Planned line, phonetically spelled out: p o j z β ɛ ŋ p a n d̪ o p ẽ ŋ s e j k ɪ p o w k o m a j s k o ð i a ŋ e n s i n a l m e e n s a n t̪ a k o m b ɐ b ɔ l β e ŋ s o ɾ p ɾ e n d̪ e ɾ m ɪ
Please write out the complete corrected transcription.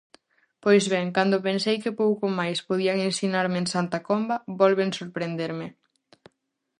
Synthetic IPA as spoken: p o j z β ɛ ŋ k a n d̪ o p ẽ n s e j k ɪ p o w k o m a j s p o ð i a ŋ e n s i n a ɾ m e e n s a n t̪ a k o m b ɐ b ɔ l β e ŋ s o ɾ p ɾ e n d̪ e ɾ m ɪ